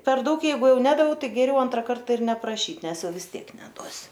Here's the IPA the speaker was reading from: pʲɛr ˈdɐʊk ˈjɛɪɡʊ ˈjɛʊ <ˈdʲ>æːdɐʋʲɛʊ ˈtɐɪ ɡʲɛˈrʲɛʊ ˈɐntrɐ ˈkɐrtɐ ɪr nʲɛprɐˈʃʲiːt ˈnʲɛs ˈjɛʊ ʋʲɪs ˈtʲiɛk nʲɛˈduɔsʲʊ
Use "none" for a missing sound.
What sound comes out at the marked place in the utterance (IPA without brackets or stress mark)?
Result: nʲ